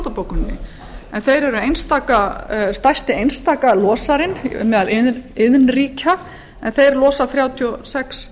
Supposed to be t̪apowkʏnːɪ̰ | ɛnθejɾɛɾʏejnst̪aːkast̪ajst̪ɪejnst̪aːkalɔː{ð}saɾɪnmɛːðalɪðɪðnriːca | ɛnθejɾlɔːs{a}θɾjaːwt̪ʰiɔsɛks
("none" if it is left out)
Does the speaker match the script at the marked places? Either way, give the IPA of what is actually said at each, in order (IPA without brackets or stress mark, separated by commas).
none, a